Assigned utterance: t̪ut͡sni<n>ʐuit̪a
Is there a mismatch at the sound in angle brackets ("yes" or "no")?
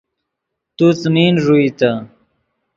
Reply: no